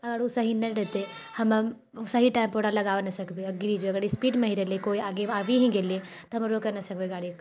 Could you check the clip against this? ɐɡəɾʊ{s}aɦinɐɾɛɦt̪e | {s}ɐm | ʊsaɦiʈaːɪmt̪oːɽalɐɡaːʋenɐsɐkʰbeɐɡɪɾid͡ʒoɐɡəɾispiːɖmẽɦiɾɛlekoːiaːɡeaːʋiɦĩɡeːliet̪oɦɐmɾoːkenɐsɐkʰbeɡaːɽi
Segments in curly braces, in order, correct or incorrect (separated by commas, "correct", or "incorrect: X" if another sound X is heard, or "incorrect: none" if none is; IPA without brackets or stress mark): correct, incorrect: h